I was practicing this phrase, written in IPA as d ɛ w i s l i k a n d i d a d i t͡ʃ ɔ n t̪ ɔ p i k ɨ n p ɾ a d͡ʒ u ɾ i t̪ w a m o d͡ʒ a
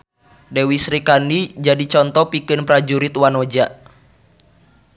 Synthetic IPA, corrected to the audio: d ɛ w i s ɾ i k a n d i d͡ʒ a d i t͡ʃ ɔ n t̪ ɔ p i k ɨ n p ɾ a d͡ʒ u ɾ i t̪ w a n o d͡ʒ a